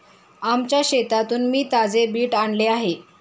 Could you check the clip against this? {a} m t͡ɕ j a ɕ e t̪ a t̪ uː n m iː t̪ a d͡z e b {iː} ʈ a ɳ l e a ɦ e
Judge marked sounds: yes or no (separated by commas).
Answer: yes, yes